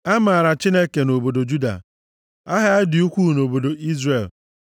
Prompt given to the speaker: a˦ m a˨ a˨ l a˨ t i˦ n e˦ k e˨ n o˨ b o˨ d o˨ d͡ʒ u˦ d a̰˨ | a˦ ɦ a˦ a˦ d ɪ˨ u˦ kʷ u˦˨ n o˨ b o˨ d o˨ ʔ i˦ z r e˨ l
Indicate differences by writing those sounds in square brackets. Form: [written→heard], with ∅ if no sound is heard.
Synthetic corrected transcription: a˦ m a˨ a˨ [l→ɾ] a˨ [t→t͡ʃ] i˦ n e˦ k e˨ n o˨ b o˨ d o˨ d͡ʒ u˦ d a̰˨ | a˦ ɦ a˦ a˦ d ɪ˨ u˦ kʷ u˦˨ n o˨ b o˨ d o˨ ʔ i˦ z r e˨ l